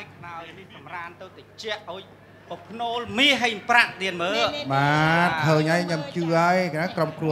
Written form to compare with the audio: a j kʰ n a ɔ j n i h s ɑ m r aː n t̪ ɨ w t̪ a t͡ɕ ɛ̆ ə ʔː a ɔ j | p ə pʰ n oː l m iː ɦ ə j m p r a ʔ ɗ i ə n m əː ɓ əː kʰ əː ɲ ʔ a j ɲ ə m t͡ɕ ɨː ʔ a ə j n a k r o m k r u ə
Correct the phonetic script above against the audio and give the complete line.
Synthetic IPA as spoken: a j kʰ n a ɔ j n i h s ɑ m r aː n t̪ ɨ w t̪ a t͡ɕ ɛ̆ ə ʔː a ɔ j | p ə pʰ n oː l m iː ɦ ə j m p r a ʔ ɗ i ə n m əː ɓ aː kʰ əː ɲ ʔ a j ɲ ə m t͡ɕ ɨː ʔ a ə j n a k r o m k r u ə